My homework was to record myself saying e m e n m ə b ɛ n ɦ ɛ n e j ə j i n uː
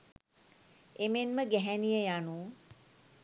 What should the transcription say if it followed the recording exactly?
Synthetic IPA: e m e n m ə ɡ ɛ ɦ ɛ n i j ə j a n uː